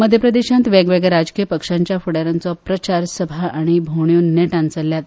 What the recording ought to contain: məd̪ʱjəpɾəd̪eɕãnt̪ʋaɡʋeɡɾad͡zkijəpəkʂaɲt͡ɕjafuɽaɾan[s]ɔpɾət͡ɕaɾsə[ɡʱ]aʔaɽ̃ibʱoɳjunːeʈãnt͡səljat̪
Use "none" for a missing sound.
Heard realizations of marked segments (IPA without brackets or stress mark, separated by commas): t͡s, bʱ